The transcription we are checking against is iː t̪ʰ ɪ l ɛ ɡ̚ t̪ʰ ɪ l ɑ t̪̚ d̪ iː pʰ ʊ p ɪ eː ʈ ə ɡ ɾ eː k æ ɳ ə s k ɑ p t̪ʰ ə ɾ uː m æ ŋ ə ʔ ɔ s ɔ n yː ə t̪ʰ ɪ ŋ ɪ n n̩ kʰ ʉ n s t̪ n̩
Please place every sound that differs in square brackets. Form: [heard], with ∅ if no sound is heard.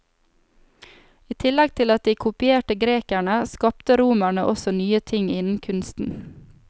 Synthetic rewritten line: iː t̪ʰ ɪ l ɛ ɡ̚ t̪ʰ ɪ l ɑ t̪̚ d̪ iː [kʰ] ʊ p ɪ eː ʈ ə ɡ ɾ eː k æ ɳ ə s k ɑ p [t̪] ə ɾ uː m æ [ɳ] ə ʔ ɔ s ɔ n yː ə t̪ʰ ɪ ŋ ɪ n n̩ kʰ ʉ n s t̪ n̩